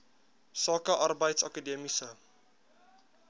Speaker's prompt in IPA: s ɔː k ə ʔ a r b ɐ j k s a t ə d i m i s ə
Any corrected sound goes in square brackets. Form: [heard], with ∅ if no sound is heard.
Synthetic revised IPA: s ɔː k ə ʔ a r b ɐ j [t] s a [k] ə d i m i s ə

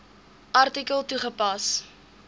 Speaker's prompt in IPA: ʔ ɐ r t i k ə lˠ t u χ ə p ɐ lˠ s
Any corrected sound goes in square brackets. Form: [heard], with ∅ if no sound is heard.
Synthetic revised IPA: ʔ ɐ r t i k ə lˠ t u χ ə p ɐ [∅] s

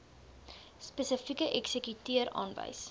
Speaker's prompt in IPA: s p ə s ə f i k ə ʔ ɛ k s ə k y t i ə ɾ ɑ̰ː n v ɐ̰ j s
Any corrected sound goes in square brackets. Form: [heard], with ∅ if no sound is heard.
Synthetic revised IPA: s p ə s ə f i k ə ʔ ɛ k s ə k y t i ə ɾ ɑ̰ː n v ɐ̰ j s

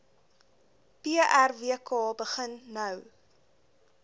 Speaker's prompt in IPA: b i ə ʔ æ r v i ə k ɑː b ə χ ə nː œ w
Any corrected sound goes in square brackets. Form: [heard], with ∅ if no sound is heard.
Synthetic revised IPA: [p] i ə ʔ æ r v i ə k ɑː b ə χ ə nː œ w

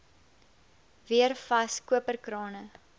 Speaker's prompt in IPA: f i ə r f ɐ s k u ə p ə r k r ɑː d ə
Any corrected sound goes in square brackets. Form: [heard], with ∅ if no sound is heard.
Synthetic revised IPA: [v] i ə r f ɐ s k u ə p ə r k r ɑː [n] ə

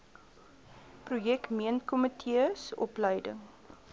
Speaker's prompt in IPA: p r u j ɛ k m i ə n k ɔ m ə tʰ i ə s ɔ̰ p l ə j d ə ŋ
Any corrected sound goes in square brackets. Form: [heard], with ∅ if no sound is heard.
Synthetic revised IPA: p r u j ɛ k m i ə n k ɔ m ə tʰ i ə s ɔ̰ p l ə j d ə ŋ

